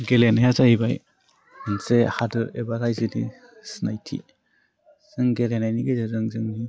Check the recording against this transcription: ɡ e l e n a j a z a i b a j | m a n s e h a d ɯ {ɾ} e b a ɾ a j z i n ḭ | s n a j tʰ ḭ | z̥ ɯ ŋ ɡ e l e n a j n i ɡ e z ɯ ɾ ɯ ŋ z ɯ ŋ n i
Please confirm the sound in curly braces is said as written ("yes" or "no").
yes